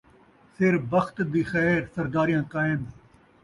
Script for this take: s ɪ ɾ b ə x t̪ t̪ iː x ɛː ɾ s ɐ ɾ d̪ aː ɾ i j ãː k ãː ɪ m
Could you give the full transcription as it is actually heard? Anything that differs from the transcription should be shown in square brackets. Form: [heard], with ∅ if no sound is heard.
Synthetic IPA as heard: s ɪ ɾ b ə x t̪ [d̪] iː x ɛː ɾ s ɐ ɾ d̪ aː ɾ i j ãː k [aː] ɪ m